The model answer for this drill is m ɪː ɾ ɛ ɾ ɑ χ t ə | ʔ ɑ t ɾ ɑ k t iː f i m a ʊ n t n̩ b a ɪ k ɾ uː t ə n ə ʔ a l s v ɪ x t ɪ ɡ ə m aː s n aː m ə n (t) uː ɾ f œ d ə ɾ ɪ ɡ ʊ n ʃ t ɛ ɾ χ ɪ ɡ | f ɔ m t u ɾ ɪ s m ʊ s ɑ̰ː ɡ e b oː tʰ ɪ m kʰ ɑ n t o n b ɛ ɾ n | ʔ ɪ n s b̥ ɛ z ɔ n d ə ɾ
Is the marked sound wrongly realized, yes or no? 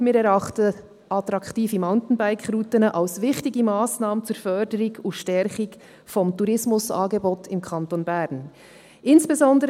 yes